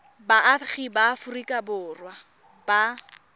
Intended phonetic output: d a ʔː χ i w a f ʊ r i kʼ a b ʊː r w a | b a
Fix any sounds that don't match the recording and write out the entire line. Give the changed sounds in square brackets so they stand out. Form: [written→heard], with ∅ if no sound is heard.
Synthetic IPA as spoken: [d→b] a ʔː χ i [w→b] a f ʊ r i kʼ a b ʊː r w a | b a